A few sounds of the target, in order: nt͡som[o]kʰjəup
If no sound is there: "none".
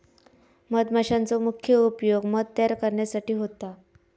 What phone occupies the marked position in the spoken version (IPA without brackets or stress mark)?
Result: u